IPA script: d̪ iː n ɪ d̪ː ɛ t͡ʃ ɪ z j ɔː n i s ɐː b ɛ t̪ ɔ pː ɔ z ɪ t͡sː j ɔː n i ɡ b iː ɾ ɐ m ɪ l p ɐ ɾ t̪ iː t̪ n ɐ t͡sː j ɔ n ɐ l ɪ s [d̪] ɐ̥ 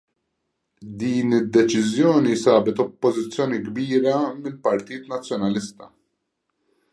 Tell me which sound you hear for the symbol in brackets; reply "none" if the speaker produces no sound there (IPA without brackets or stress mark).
t̪